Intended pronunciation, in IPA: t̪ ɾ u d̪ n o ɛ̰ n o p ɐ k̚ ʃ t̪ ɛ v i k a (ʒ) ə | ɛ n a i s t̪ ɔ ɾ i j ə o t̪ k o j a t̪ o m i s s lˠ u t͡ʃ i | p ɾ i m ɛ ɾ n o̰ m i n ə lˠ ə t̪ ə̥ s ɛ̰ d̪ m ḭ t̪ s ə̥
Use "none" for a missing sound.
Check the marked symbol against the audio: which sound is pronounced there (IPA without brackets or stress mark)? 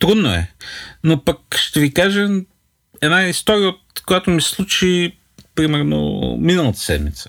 ʒ